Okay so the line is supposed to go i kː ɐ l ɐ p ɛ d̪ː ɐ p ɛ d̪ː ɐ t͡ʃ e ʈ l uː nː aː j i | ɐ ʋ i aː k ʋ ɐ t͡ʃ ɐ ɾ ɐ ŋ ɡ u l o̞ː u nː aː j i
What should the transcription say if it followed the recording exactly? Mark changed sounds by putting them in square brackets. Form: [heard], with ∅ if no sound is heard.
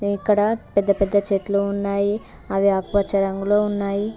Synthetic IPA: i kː ɐ [ɽ] ɐ p ɛ d̪ː ɐ p ɛ d̪ː ɐ t͡ʃ e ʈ l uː nː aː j i | ɐ ʋ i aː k ʋ ɐ t͡ʃ ɐ ɾ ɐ ŋ ɡ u l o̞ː u nː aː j i